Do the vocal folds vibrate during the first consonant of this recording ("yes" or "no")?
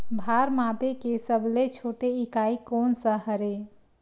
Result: yes